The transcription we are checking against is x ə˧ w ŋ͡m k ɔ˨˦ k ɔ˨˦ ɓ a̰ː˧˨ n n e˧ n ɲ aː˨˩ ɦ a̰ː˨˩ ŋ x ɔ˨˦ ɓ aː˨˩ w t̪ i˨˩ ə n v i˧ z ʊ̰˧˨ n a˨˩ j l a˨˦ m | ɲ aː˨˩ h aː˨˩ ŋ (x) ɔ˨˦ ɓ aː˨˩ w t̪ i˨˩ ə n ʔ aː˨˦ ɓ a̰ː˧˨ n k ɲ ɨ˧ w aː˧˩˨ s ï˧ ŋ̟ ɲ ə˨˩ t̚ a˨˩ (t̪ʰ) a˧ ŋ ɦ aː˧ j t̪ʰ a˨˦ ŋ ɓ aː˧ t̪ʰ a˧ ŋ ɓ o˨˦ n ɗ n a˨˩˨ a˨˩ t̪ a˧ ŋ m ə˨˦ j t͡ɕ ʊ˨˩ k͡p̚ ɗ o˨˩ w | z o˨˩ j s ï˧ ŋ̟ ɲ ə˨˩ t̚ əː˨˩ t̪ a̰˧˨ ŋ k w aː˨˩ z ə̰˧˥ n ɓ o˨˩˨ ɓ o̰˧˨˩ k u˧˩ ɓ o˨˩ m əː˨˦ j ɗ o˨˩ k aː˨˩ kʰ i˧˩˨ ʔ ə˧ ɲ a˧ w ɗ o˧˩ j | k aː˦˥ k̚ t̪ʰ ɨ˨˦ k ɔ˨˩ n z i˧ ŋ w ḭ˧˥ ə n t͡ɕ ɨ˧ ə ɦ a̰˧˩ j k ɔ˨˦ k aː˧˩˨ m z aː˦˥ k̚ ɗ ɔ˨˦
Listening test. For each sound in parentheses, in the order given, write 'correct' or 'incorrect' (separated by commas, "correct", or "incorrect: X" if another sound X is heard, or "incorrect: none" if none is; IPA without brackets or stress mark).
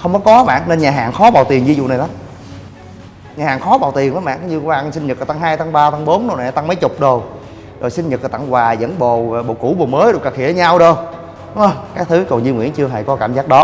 correct, incorrect: t̪